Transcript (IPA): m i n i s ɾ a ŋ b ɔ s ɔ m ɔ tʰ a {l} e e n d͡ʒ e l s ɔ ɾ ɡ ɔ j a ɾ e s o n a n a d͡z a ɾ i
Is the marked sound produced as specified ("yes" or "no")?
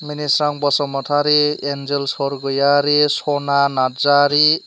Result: no